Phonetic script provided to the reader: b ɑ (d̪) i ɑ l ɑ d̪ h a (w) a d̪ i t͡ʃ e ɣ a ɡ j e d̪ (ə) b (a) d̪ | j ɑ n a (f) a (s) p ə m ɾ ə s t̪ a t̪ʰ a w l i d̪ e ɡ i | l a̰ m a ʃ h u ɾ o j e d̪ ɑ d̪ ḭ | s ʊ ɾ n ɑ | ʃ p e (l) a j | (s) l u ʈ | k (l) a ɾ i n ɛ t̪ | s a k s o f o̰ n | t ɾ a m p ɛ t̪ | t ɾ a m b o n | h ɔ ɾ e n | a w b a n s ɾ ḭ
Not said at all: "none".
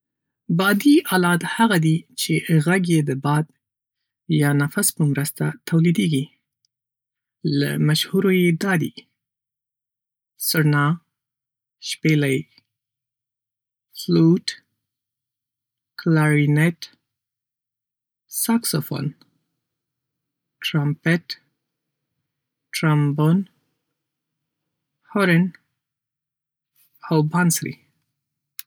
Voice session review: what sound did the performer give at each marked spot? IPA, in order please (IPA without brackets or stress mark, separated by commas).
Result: d̪, ɣ, ə, ɑ, f, s, l, f, l